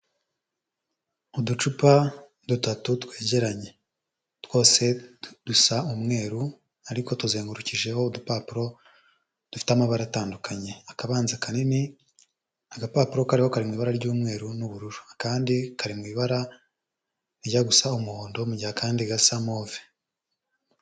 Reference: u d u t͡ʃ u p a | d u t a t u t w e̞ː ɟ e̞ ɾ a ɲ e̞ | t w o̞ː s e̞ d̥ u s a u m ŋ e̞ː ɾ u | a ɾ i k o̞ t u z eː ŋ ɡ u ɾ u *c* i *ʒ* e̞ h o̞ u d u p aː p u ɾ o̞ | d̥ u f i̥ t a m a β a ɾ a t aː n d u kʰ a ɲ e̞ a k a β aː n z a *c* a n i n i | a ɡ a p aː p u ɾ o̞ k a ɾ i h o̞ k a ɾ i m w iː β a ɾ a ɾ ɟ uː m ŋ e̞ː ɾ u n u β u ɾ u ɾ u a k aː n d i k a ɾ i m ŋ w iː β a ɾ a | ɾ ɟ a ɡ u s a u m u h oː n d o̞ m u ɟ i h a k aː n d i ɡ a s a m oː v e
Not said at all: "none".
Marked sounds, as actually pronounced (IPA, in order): c, ʒ, k

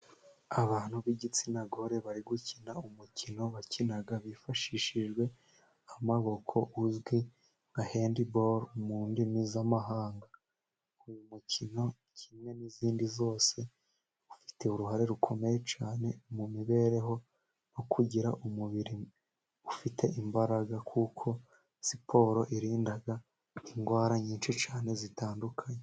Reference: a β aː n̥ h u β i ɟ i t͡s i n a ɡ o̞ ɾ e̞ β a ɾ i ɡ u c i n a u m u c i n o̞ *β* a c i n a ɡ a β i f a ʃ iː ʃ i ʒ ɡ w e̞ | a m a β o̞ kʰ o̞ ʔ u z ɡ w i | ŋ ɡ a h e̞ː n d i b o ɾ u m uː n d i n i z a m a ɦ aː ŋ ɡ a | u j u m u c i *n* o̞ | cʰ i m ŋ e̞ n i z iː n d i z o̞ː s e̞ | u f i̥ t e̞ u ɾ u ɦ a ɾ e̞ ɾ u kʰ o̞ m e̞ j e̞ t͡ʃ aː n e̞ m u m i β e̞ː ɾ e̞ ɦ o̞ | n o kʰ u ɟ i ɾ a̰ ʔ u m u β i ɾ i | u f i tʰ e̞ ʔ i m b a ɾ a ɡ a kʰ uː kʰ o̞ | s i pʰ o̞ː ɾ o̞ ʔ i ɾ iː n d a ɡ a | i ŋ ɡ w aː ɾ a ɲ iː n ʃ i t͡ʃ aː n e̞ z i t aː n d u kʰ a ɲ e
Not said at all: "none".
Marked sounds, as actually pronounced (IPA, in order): β, n

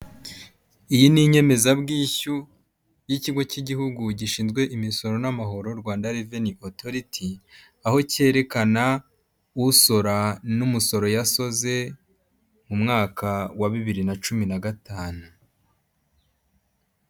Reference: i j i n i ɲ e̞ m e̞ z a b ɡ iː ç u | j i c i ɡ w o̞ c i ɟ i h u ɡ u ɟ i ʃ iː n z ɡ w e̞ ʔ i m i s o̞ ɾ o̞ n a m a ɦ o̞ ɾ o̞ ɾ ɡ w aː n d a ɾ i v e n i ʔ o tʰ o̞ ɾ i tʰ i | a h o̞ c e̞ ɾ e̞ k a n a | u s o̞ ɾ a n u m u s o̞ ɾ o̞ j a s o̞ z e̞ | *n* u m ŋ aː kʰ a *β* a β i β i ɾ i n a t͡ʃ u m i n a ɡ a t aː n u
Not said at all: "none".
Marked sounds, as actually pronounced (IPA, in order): m, w

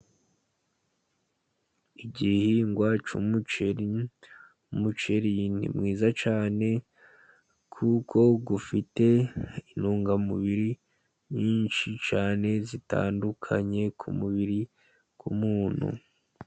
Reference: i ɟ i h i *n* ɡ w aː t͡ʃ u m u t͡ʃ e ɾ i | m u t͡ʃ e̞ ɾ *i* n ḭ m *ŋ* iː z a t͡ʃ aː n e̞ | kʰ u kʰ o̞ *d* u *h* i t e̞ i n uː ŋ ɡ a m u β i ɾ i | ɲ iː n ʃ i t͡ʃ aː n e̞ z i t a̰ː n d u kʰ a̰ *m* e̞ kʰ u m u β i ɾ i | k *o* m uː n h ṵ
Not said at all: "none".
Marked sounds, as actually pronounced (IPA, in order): ŋ, i, ŋ, ɡ, f, ɲ, u

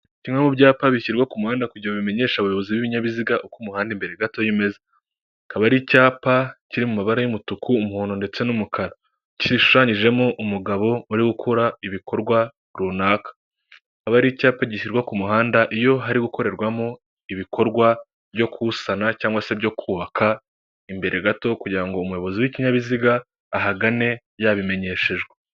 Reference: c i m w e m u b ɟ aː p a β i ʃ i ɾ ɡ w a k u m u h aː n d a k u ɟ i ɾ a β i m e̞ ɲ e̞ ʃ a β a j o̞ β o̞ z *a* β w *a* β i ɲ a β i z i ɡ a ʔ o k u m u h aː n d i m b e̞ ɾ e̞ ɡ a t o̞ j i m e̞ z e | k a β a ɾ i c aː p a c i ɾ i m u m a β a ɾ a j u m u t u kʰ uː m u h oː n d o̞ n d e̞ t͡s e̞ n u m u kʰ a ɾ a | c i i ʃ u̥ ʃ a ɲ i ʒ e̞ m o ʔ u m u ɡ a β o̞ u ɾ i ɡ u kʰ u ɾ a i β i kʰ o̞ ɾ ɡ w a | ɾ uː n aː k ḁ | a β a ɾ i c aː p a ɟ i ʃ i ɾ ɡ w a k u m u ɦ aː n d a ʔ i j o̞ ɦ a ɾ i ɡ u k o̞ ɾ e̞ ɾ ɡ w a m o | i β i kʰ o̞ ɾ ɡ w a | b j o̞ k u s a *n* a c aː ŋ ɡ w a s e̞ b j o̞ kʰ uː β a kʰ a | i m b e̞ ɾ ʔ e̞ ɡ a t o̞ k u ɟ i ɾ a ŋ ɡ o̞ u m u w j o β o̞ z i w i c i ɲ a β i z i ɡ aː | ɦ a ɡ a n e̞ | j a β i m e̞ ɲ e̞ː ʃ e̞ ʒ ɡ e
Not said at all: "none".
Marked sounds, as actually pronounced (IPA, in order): i, i, n

